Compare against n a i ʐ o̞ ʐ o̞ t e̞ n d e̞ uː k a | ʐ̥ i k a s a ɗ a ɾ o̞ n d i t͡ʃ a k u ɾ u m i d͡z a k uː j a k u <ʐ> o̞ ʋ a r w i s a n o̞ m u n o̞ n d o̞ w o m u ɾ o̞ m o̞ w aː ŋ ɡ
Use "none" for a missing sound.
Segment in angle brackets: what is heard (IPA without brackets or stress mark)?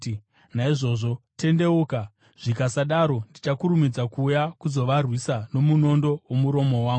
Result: z